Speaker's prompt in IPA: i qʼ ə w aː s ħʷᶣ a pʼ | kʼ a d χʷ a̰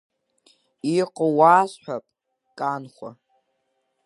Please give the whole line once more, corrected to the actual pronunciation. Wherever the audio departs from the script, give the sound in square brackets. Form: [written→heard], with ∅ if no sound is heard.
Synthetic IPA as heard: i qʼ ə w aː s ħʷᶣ a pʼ | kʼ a [d→n] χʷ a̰

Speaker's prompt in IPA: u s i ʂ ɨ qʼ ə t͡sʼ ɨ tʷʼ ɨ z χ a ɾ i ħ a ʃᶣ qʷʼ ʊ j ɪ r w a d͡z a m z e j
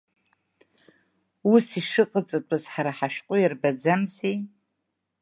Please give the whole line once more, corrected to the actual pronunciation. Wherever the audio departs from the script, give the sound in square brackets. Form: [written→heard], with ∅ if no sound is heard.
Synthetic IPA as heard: u s i ʂ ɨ qʼ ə t͡sʼ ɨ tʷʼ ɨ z [χ→ħ] a ɾ [i→a] ħ a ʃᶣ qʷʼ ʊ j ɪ r [w→b] a d͡z a m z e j

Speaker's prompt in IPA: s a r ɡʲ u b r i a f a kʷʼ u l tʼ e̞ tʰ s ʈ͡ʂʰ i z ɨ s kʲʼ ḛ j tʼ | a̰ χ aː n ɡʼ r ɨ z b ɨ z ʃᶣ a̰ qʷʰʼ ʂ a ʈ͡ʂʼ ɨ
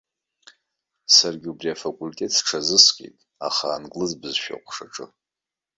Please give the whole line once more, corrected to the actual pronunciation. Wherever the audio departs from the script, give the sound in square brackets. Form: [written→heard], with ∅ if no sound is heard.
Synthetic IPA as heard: s a r ɡʲ u b r i a f a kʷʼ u l tʼ e̞ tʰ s ʈ͡ʂʰ [i→a] z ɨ s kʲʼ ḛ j tʼ | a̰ χ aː n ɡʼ [r→l] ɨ z b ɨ z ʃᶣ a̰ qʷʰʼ ʂ a ʈ͡ʂʼ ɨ

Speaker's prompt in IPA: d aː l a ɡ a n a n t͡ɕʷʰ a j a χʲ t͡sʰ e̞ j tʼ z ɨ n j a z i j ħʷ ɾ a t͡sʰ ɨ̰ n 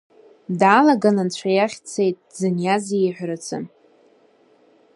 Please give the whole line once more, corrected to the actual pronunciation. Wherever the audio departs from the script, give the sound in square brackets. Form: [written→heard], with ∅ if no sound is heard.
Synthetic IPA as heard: d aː l a ɡ a n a n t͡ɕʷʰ a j a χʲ t͡sʰ e̞ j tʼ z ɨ n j a z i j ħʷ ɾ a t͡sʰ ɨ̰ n

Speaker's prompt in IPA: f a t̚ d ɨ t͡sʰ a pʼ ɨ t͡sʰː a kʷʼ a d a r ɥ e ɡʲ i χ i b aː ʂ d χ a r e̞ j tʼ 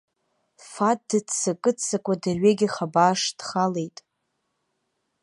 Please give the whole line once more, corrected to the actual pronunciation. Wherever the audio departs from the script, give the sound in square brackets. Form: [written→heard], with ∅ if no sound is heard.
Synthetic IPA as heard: f a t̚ d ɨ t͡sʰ a [pʼ→kʼ] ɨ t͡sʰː a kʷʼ a d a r ɥ e ɡʲ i χ [i→a] b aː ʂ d χ a [r→l] e̞ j tʼ

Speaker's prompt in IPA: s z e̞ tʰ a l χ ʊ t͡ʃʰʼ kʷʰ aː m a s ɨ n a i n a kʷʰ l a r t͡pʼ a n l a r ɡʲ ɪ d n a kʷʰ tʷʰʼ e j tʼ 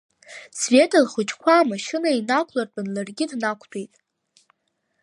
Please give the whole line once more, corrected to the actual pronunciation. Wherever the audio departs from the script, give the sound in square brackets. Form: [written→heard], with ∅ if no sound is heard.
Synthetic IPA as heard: s [z→v] e̞ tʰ a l χ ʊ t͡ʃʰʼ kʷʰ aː m a [s→ʃ] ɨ n a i n a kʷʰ l a r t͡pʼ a n l a r ɡʲ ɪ d n a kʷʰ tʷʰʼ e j tʼ

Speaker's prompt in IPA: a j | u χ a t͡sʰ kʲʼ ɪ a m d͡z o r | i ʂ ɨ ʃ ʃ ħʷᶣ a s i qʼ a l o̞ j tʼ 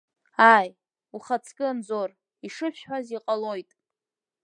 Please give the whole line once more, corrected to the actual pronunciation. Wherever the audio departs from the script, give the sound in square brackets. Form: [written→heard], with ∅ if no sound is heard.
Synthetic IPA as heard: a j | u χ a t͡sʰ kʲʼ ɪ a [m→n] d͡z o r | i ʂ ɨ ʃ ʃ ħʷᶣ a [s→z] i qʼ a l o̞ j tʼ

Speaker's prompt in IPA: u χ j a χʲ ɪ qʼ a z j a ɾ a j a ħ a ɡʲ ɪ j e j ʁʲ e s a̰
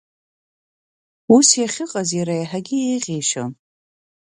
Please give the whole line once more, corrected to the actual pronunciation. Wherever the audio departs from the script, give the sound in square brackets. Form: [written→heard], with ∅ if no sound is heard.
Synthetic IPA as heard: u [χ→s] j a χʲ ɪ qʼ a z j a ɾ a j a ħ a ɡʲ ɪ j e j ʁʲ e [s→ʃ] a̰

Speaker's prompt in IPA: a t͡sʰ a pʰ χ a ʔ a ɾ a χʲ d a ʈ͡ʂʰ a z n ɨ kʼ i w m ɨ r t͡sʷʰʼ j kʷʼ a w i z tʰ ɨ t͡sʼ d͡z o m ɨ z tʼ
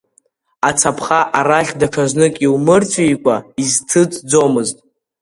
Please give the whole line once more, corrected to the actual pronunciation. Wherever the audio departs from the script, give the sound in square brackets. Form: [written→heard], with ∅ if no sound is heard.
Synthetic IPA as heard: a t͡sʰ a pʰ χ a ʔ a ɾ a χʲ d a ʈ͡ʂʰ a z n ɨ kʼ i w m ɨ r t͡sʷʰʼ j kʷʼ a [w→∅] i z tʰ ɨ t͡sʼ d͡z o m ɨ z tʼ

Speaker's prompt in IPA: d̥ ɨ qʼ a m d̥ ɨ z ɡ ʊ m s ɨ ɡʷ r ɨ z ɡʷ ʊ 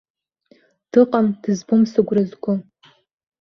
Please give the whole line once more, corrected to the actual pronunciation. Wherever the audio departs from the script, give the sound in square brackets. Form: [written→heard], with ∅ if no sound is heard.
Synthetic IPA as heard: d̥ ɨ qʼ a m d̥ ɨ z [ɡ→b] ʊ m s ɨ ɡʷ r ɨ z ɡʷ ʊ

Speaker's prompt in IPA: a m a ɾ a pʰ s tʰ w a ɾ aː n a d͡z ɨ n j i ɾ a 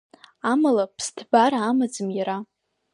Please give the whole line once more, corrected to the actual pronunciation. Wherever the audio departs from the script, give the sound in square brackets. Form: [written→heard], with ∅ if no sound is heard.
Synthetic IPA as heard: a m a [ɾ→l] a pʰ s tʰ [w→b] a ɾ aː [n→m] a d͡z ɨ [n→m] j [i→a] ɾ a

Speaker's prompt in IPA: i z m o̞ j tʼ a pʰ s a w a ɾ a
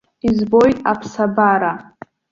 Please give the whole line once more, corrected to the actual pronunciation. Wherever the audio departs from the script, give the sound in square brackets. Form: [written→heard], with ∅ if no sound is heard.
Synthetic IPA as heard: i z [m→b] o̞ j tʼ a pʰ s a [w→b] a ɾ a

